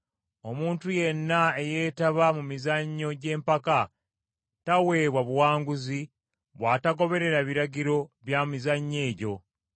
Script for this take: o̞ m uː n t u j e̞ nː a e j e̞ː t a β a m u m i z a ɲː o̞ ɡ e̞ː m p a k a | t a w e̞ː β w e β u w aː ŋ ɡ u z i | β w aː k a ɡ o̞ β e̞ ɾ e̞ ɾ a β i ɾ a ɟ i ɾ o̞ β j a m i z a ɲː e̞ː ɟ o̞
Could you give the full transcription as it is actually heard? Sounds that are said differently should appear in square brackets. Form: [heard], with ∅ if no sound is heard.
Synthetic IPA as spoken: o̞ m uː n t u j e̞ nː a e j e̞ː t a β a m u m i z a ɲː o̞ [ɟ] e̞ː m p a k a | t a w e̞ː β w [a] β u w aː ŋ ɡ u z i | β w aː [t] a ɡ o̞ β e̞ ɾ e̞ ɾ a β i ɾ a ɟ i ɾ o̞ β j a m i z a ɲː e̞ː ɟ o̞